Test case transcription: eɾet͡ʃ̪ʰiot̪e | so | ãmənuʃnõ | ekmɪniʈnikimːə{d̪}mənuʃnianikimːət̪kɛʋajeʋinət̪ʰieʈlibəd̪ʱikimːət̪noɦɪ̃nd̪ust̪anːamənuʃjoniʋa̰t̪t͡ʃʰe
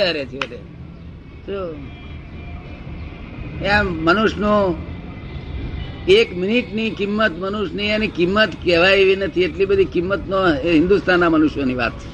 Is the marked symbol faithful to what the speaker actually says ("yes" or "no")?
no